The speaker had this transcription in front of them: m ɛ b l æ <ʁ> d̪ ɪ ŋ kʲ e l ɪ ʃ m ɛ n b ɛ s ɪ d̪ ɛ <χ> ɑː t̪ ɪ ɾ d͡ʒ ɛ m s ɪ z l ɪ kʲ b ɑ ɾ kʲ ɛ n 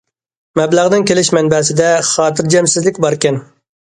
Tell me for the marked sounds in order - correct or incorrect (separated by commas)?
correct, correct